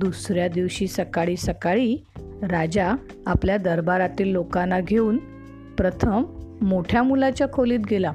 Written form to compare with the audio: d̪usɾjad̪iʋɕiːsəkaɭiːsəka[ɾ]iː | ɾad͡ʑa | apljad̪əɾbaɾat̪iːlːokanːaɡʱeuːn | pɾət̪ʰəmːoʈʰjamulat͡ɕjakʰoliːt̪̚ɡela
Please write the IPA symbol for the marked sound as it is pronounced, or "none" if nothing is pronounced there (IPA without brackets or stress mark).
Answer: ɭ